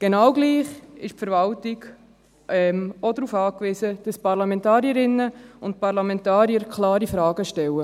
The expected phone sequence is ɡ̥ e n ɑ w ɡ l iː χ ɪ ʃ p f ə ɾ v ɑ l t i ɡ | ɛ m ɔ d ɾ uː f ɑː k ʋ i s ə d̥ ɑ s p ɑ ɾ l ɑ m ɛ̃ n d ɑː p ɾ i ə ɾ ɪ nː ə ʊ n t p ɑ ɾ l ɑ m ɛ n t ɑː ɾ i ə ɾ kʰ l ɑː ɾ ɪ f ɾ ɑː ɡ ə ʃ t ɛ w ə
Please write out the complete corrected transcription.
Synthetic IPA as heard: ɡ̥ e n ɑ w ɡ l iː χ ɪ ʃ p f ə ɾ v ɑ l t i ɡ | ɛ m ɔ d ɾ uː f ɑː k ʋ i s ə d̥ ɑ s p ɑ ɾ l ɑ m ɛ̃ n t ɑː ɾ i ə ɾ ɪ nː ə ʊ n t p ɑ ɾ l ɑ m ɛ n t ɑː ɾ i ə ɾ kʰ l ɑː ɾ i f ɾ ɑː ɡ ə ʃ t ɛ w ə